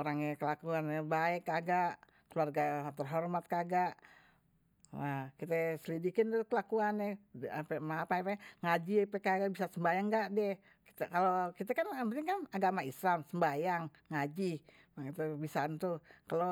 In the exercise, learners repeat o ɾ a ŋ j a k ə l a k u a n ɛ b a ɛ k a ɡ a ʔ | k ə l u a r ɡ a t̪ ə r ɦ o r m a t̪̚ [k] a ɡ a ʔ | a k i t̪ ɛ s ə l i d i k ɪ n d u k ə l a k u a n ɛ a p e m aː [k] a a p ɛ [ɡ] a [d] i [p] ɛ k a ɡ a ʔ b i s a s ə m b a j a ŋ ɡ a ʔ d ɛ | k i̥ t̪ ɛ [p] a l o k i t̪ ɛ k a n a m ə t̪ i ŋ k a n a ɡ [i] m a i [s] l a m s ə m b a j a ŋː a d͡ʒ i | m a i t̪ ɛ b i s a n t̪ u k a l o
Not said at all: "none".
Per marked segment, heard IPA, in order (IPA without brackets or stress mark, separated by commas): k, p, ŋ, d͡ʒ, p, k, a, s